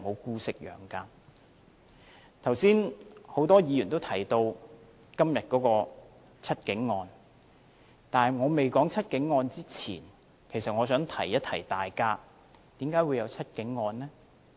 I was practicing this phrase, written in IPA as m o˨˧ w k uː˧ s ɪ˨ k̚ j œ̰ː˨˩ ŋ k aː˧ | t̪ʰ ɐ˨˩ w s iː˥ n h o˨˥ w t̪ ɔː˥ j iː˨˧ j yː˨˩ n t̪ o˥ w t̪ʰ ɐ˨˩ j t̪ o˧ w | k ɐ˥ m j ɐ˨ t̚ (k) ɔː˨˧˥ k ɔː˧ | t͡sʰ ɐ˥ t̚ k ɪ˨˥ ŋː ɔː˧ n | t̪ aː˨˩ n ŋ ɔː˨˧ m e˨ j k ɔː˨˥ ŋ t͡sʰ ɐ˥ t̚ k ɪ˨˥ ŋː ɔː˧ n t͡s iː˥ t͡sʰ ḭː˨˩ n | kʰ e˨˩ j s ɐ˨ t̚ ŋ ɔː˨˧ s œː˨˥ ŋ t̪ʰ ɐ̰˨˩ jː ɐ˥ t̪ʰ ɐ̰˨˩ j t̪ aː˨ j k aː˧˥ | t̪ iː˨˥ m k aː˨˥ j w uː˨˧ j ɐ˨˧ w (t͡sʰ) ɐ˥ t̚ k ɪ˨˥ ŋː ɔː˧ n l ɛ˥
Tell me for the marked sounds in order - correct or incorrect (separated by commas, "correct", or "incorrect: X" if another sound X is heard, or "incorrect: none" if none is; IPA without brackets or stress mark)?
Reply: correct, correct